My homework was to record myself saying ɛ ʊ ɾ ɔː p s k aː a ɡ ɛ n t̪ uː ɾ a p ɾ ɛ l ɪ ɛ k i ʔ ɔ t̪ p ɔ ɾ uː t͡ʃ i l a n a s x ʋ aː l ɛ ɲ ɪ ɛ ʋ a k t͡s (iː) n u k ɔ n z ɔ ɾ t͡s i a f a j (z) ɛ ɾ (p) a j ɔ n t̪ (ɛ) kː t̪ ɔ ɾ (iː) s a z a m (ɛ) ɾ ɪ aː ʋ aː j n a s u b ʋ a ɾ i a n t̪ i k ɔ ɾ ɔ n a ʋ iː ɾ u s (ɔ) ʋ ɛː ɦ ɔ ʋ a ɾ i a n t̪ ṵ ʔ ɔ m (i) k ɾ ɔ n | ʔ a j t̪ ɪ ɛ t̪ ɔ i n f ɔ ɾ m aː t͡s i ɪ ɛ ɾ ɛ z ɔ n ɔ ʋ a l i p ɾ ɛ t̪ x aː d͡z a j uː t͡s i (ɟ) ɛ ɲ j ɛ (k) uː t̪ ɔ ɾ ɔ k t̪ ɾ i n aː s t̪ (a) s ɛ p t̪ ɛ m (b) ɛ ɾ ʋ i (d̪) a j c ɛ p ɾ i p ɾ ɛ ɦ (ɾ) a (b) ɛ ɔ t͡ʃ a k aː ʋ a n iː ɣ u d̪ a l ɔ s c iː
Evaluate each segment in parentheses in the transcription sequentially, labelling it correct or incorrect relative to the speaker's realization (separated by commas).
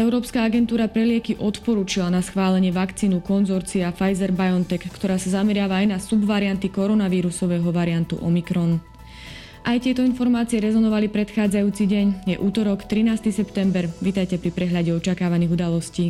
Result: correct, correct, incorrect, correct, incorrect, correct, correct, correct, correct, incorrect, incorrect, correct, incorrect, incorrect, incorrect